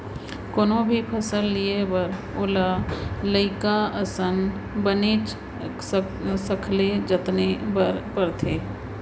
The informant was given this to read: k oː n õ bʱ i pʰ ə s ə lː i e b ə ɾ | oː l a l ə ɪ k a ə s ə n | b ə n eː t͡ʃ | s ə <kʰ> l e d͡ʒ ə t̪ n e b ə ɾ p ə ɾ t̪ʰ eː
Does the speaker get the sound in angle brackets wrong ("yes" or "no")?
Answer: no